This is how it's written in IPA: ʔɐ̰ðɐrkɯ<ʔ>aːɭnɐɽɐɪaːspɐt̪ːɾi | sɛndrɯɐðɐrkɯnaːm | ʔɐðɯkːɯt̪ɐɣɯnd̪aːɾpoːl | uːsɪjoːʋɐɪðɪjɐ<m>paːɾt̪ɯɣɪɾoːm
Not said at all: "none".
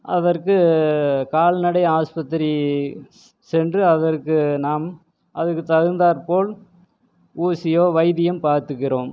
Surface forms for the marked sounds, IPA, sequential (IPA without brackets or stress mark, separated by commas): k, m